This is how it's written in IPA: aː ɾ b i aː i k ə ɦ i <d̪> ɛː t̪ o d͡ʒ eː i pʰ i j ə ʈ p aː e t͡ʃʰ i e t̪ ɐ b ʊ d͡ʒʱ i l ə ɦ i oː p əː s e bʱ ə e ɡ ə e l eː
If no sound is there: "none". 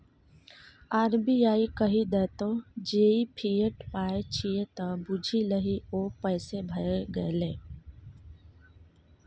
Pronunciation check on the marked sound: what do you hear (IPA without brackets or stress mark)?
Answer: d̪